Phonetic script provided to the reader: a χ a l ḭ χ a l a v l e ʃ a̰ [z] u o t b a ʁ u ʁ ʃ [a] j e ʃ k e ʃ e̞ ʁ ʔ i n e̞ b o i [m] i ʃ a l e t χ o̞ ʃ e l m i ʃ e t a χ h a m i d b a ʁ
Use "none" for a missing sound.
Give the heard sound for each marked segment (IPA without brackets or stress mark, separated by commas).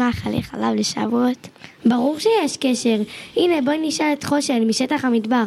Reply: v, e, n